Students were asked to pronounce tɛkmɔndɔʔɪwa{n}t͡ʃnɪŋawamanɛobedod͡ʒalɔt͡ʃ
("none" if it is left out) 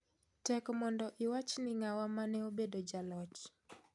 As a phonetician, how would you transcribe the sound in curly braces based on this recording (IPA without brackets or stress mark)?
none